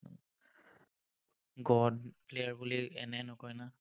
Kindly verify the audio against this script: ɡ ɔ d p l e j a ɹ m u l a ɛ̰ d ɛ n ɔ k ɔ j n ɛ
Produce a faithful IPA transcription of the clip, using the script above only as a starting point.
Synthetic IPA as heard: ɡ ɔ d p l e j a ɹ b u l i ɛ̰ n ɛ n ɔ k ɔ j n a

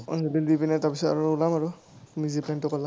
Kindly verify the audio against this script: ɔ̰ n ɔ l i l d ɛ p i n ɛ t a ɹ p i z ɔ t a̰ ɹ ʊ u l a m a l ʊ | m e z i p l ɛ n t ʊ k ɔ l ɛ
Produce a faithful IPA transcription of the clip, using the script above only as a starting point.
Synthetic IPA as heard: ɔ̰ n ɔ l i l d i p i n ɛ t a ɹ p i s ɔ t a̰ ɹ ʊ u l a m a ɹ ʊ | m i z i p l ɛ n t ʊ k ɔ l a

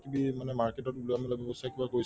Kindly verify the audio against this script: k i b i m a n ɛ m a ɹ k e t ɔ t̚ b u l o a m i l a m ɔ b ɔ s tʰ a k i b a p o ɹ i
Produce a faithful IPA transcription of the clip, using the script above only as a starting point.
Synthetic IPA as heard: k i b i m a n ɛ m a ɹ k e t ɔ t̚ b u l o a m i l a b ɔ b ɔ s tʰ a k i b a k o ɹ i

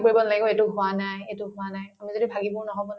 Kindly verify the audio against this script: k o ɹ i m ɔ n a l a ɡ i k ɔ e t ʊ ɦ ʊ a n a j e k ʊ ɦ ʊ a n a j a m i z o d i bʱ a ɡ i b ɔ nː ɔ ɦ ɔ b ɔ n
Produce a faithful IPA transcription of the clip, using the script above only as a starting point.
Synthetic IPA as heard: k o ɹ i b ɔ n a l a ɡ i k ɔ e t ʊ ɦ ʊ a n a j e t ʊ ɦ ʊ a n a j a m i z o d i bʱ a ɡ i b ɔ n ɔ ɦ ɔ b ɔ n

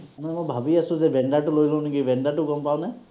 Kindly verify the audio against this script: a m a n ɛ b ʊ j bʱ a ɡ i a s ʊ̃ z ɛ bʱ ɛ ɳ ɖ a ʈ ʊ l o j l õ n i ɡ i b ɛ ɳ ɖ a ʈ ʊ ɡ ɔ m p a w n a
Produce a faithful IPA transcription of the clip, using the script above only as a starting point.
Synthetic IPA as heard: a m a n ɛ m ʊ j bʱ a b i a s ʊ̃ z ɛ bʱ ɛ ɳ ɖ a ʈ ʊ l o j l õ n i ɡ i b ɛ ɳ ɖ a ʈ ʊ ɡ ɔ m p a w n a

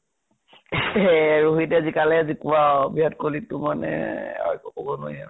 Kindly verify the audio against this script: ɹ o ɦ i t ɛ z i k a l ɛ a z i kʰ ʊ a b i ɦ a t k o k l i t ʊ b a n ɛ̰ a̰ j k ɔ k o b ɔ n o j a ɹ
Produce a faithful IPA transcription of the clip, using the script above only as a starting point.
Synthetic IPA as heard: ɹ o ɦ i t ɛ z i k a l ɛ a z i k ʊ a b i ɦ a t k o l i t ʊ m a n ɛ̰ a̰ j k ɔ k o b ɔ n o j a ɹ

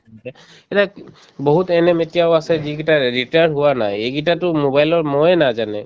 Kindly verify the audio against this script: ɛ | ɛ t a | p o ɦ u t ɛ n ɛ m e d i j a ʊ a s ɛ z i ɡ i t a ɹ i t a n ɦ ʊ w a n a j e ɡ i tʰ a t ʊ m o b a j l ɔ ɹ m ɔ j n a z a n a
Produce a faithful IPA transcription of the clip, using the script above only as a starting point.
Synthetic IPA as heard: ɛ | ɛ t a | b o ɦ u t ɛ n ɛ m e t i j a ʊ a s ɛ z i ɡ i t a ɹ i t a n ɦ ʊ w a n a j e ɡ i t a t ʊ m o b a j l ɔ ɹ m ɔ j n a z a n ɛ

